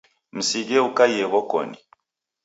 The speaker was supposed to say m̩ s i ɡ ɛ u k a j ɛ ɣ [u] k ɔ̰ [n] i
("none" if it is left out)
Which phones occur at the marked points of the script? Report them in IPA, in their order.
ɔ, n

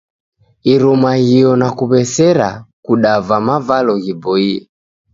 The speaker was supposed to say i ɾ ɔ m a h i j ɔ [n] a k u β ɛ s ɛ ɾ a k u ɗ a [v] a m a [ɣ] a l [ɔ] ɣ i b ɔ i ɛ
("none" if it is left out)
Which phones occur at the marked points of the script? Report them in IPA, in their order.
n, v, v, ɔ

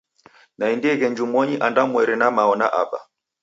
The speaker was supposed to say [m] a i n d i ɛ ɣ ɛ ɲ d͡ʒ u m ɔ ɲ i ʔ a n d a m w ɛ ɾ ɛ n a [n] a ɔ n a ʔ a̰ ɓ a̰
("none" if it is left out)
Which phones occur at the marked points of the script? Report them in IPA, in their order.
n, m

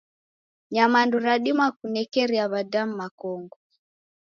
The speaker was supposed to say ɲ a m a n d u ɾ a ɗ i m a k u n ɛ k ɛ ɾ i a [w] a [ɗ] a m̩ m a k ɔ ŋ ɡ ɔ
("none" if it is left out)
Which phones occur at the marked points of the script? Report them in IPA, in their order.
β, d

